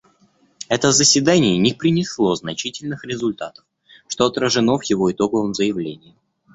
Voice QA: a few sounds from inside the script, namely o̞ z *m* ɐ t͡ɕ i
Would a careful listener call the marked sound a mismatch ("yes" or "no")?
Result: yes